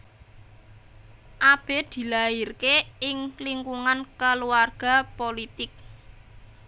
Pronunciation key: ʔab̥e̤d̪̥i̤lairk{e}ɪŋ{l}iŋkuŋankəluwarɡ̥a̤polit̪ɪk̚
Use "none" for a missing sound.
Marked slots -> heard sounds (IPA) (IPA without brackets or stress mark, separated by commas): e, l